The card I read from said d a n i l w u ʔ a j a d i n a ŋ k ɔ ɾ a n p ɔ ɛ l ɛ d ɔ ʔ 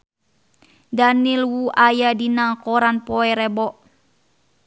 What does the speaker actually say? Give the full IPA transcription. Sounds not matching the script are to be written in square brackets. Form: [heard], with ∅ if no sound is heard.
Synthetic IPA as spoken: d a n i l w u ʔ a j a d i n a ŋ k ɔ ɾ a n p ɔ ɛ [ɾ] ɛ [b] ɔ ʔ